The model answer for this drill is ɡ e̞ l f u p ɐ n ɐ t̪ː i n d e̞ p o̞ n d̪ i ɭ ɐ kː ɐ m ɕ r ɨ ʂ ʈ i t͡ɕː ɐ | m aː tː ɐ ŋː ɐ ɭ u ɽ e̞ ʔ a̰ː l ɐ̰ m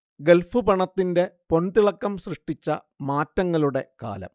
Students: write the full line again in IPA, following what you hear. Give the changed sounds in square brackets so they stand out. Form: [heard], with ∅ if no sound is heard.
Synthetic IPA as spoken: ɡ e̞ l f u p ɐ [ɳ] ɐ t̪ː i n d e̞ p o̞ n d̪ i ɭ ɐ kː ɐ m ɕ r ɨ ʂ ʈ i t͡ɕː ɐ | m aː tː ɐ ŋː ɐ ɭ u ɽ e̞ [k] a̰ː l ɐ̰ m